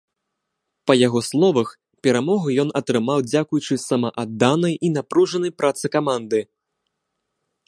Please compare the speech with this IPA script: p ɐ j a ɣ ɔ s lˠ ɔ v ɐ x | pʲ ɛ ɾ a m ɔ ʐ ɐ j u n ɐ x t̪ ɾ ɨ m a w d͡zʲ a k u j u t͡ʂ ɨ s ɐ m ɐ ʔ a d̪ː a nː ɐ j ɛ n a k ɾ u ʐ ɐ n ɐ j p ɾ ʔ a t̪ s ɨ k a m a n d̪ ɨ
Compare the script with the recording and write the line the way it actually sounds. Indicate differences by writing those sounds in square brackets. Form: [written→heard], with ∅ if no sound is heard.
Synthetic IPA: p ɐ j a ɣ ɔ s lˠ ɔ v ɐ x | pʲ ɛ ɾ a m ɔ [ʐ→ɣ] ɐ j [u→ɔ] n ɐ [x→∅] t̪ ɾ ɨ m a w d͡zʲ a k u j u t͡ʂ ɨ s ɐ m ɐ ʔ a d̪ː a [nː→n] ɐ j [ɛ→i] n a [k→p] ɾ u ʐ ɐ n ɐ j p ɾ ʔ a t̪ s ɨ k a m a n d̪ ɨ